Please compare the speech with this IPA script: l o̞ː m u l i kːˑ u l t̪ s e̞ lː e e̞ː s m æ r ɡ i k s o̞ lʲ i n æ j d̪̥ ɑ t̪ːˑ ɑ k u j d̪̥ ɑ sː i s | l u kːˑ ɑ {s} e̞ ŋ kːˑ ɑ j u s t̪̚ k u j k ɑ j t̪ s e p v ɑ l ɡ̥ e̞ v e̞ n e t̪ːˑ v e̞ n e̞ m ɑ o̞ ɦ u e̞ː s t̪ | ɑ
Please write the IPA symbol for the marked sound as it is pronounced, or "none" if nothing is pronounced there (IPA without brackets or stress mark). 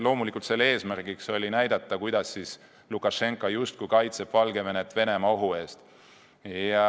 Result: ʃ